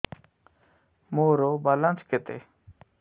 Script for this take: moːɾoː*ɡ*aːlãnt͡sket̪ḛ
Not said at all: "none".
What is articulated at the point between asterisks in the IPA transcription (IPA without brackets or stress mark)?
b